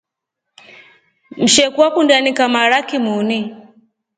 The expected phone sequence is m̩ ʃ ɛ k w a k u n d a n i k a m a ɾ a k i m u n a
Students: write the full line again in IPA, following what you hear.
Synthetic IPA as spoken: m̩ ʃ ɛ k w a k u n d a n i k a m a ɾ a k i m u n i